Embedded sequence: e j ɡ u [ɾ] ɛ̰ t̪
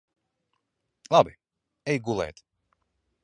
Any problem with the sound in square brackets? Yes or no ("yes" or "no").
yes